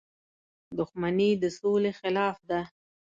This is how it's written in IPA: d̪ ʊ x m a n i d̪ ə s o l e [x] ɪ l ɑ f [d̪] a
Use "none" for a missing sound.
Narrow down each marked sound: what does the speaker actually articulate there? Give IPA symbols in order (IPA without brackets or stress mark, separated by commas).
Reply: x, d̪